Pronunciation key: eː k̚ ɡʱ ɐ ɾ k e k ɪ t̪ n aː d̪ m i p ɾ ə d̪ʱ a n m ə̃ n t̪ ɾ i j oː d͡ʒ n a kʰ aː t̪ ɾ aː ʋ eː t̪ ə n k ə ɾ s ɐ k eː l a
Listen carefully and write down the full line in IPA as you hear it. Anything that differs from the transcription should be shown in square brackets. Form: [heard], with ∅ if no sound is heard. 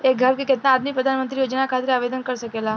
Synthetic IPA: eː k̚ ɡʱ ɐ ɾ k e k ɪ t̪ n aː d̪ m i p ɾ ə d̪ʱ a n m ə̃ n t̪ ɾ i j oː d͡ʒ n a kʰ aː t̪ ɾ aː ʋ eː [d̪] ə n k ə ɾ s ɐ k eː l a